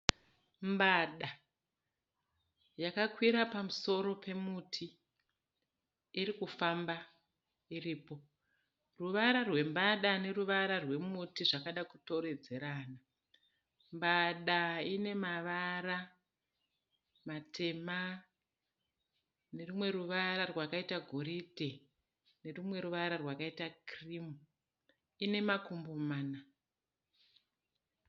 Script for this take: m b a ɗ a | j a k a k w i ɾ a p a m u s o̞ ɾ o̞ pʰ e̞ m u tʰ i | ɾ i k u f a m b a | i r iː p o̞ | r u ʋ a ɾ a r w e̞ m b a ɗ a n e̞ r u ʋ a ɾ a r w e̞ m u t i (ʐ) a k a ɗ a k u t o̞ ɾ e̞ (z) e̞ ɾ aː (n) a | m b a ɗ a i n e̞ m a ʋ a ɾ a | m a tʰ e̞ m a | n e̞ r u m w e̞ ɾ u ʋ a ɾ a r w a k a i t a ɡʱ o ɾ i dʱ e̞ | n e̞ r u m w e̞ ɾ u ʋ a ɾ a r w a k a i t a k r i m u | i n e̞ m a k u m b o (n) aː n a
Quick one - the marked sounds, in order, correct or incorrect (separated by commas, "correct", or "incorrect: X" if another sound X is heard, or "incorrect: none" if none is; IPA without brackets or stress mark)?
correct, incorrect: d͡z, correct, incorrect: m